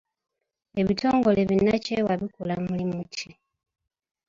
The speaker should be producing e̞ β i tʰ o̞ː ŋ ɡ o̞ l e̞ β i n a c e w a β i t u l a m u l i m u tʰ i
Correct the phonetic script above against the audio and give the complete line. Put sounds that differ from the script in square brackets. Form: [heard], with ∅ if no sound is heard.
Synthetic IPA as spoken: e̞ β i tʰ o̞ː ŋ ɡ o̞ l e̞ β i n a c e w a β i [k] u l a m u l i m u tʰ i